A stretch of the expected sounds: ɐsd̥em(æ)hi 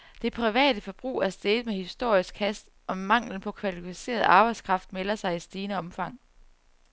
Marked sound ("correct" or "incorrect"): incorrect